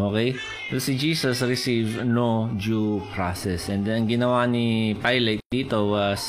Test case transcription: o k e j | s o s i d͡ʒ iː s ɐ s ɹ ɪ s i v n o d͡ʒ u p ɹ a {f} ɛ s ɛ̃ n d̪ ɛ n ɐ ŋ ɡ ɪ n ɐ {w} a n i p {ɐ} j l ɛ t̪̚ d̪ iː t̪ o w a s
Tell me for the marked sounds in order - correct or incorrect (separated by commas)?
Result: incorrect, correct, incorrect